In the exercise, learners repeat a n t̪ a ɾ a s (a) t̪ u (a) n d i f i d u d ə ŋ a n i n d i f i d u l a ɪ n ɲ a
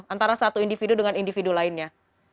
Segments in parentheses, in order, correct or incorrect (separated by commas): correct, incorrect